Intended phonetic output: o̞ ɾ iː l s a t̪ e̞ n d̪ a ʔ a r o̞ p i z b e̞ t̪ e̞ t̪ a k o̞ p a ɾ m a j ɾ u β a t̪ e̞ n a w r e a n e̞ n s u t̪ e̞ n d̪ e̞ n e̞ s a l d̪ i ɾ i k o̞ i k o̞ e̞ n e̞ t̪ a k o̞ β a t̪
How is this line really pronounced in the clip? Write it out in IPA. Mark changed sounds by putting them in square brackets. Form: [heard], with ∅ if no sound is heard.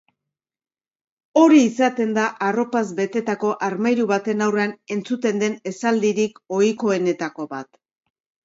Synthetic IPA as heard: o̞ ɾ iː [∅] s a t̪ e̞ n d̪ a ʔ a r o̞ p [a] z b e̞ t̪ e̞ t̪ a k o̞ [ʔ] a ɾ m a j ɾ u β a t̪ e̞ n a w r e a n e̞ n [t͡s] u t̪ e̞ n d̪ e̞ n e̞ s a l d̪ i ɾ i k o̞ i k o̞ e̞ n e̞ t̪ a k o̞ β a t̪